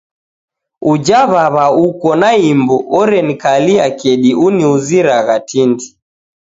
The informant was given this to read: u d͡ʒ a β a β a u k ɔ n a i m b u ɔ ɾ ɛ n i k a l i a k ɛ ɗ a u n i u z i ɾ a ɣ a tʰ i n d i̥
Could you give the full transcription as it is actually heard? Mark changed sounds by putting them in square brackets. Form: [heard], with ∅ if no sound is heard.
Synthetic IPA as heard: u d͡ʒ a β a β a u k ɔ n a i m b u ɔ ɾ ɛ n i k a l i a k ɛ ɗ [i] u n i u z i ɾ a ɣ a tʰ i n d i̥